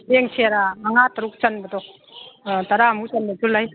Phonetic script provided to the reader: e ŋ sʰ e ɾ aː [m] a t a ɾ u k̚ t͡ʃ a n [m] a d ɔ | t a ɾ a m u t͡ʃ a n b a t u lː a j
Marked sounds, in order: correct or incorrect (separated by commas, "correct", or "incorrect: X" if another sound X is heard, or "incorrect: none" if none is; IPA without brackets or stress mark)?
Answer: incorrect: ŋ, incorrect: b